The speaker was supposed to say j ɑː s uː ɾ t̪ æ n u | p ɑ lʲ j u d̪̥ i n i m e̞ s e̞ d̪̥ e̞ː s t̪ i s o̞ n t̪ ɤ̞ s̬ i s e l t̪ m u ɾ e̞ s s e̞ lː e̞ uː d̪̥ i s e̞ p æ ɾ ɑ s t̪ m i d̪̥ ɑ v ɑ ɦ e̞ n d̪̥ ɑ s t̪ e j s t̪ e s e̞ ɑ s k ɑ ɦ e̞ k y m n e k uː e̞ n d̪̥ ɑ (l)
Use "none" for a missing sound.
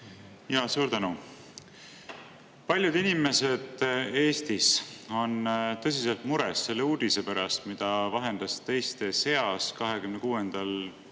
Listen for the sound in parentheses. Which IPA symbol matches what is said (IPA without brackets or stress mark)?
l